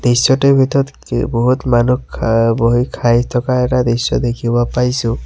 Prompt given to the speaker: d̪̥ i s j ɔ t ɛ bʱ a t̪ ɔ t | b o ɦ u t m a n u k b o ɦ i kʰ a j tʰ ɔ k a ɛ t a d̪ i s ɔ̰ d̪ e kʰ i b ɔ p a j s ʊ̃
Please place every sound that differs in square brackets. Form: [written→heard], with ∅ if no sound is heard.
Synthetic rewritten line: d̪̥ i s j ɔ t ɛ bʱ [a→i] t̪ ɔ t | b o ɦ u t m a n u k b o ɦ i kʰ a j tʰ ɔ k a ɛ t a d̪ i s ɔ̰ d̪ e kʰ i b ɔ p a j s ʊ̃

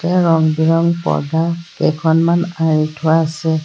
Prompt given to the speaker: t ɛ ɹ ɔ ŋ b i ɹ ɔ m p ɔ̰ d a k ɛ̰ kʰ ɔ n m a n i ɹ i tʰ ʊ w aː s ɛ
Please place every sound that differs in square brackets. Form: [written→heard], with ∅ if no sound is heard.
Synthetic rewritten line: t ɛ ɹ ɔ ŋ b i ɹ ɔ [m→ŋ] p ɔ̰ d a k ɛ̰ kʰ ɔ n m a n [i→a] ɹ i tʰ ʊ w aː s ɛ

